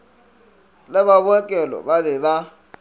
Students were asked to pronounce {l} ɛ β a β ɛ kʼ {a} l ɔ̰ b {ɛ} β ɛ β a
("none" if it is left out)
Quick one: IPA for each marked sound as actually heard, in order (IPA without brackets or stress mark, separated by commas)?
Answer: l, ɛ, a